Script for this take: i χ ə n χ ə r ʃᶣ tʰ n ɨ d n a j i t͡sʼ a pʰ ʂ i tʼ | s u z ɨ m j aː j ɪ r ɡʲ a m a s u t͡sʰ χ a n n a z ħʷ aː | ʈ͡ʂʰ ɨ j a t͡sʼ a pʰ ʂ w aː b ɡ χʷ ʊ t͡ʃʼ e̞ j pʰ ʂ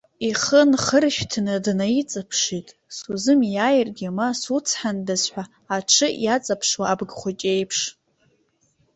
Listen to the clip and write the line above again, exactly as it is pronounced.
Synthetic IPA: i χ ə n χ ə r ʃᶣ tʰ n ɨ d n a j i t͡sʼ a pʰ ʂ i tʼ | s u z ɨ m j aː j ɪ r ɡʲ a m a s u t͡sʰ ħ a n d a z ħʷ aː | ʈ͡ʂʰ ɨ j a t͡sʼ a pʰ ʂ w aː b ɡ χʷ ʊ t͡ʃʼ e̞ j pʰ ʂ